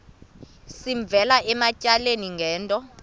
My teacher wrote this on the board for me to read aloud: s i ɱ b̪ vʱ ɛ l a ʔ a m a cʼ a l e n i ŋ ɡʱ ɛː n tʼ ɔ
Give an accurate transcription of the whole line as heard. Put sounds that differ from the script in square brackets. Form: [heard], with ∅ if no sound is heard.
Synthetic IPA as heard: s i ɱ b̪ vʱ ɛ l a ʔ [ɛ] m a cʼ a l e n i ŋ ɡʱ ɛː n tʼ ɔ